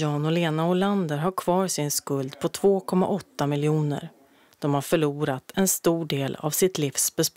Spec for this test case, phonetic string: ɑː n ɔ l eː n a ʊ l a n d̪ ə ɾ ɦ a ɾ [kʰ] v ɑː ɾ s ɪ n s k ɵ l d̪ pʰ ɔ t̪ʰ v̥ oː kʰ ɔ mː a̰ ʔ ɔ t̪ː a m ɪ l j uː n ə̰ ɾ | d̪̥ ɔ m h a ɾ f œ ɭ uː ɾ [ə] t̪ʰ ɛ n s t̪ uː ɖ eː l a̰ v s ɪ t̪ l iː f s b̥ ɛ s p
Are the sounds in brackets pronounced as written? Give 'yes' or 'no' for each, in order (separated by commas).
yes, no